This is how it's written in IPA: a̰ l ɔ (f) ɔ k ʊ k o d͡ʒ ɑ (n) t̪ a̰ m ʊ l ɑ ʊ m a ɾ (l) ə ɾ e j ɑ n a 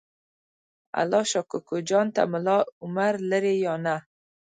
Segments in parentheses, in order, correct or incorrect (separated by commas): incorrect, correct, correct